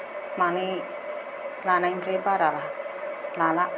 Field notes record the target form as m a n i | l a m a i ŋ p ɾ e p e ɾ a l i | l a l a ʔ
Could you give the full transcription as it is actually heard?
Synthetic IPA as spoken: m a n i | l a n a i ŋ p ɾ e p a ɾ a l a | l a l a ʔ